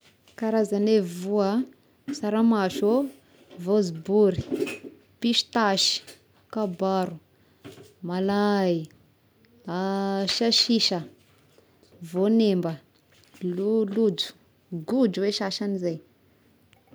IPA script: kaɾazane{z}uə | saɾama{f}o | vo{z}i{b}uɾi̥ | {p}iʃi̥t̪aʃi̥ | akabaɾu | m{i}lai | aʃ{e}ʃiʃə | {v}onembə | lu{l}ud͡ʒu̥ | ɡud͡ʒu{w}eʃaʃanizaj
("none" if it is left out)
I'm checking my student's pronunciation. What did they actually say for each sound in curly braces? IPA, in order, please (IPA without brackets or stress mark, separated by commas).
v, ʃ, z, b, p, a, a, v, l, w